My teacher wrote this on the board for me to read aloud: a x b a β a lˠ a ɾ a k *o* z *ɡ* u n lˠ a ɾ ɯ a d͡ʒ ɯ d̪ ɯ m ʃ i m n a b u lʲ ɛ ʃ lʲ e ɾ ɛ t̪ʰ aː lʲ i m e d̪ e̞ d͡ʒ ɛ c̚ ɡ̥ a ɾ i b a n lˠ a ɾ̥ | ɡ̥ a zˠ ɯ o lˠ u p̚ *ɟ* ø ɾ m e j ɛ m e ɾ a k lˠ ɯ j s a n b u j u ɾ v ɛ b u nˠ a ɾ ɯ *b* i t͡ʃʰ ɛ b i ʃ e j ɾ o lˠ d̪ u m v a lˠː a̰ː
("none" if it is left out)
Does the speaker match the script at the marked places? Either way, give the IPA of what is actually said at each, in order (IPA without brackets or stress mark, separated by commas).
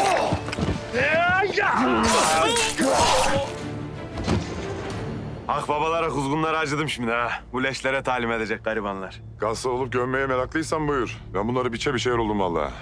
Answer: u, ɡ, ɟ, b